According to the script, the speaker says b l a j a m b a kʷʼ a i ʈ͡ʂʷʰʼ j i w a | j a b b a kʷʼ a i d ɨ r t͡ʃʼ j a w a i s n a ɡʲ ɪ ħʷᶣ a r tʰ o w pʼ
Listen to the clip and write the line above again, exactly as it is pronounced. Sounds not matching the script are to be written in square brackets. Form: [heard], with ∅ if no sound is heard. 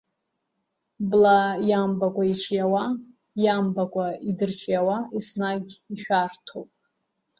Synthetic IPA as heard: b l a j a m b a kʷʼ a i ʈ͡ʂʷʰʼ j [a] w a | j a [m] b a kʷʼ a i d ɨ r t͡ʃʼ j a w a i s n a ɡʲ [i] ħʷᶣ a r tʰ o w pʼ